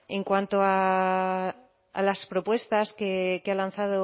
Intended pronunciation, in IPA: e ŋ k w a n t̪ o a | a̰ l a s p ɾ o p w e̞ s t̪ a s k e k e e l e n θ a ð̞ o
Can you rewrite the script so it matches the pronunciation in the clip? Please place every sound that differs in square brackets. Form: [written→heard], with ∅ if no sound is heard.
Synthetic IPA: e ŋ k w a n t̪ o a | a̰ l a s p ɾ o p w e̞ s t̪ a s k e k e [e→a] l [e→a] n θ a ð̞ o